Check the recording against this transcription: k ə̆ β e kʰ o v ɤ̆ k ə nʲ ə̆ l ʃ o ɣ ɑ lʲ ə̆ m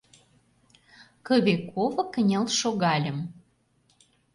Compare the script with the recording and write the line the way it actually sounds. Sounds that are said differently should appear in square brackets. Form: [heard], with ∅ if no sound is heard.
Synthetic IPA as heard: k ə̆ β e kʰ o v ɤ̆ k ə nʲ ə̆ l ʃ o ɣ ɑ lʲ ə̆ m